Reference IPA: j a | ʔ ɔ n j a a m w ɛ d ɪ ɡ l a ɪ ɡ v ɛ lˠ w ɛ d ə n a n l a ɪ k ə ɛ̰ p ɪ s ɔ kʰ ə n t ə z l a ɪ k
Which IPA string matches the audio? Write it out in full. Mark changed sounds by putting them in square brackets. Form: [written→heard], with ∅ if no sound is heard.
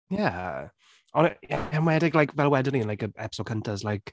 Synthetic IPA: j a | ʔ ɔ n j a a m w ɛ d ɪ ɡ l a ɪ [ɡ→k] v ɛ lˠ w ɛ d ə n [a→i] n l a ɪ k ə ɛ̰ p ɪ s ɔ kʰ ə n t ə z l a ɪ k